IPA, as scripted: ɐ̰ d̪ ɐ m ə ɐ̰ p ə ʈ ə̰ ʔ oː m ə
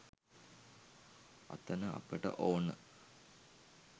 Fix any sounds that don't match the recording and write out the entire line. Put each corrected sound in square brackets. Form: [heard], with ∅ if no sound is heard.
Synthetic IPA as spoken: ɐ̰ [t̪] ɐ [n] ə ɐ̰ p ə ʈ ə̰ ʔ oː [n] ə